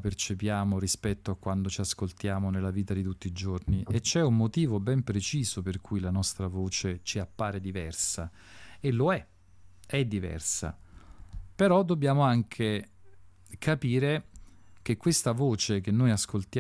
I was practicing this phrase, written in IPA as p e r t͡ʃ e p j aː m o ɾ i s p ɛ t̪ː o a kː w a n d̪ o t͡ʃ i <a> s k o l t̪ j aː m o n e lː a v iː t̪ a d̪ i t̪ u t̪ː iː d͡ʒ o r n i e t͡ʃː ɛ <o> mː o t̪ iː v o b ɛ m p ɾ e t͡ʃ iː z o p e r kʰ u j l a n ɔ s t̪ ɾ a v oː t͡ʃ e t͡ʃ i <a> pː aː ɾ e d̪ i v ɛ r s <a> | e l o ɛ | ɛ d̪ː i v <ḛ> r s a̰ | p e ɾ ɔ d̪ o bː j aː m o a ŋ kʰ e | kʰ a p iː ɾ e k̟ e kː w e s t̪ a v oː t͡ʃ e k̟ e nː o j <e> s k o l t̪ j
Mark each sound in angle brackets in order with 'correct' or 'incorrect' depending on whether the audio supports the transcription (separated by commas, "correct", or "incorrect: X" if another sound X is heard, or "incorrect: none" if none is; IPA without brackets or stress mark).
correct, incorrect: u, correct, correct, incorrect: ɛ̰, incorrect: a